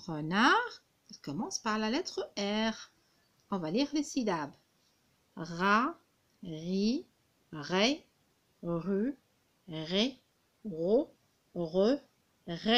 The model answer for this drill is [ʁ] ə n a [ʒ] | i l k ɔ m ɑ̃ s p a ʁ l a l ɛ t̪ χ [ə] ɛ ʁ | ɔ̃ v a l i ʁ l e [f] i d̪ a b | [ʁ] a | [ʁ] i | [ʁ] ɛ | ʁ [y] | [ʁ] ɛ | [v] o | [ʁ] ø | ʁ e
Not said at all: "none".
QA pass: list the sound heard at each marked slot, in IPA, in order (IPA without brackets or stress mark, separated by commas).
ʁ, ʁ, ə, s, ʁ, ʁ, ʁ, y, ʁ, ʁ, ʁ